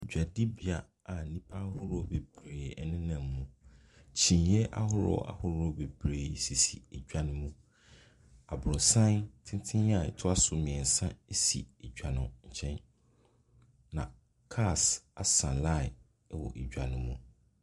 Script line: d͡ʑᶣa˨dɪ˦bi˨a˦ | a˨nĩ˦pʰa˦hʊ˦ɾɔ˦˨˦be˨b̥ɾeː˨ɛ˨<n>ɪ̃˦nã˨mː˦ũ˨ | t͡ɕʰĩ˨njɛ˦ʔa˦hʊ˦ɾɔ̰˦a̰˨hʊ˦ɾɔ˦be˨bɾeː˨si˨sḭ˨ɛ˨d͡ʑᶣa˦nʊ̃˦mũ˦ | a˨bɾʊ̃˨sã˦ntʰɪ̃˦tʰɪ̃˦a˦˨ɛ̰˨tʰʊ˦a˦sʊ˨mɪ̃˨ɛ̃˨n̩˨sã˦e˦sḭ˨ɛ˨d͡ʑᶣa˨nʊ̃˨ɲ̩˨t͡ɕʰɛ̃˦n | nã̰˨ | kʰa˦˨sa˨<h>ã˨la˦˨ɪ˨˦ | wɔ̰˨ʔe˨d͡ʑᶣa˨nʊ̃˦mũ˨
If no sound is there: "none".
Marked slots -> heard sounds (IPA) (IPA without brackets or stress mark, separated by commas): n, s